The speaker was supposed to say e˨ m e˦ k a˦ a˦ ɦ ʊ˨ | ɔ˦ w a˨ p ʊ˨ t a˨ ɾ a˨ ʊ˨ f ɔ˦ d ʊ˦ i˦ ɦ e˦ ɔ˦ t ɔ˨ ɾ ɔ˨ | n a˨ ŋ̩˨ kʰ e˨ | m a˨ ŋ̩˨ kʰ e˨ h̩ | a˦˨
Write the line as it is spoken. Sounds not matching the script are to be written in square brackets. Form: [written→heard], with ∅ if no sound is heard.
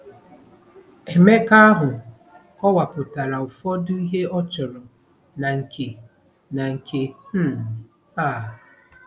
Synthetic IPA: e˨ m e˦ k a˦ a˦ ɦ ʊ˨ | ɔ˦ w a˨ p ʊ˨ t a˨ ɾ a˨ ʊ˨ f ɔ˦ d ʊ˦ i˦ ɦ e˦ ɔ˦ [t→t͡ʃ] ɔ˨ ɾ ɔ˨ | n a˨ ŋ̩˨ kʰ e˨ | [m→n] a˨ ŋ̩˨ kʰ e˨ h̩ | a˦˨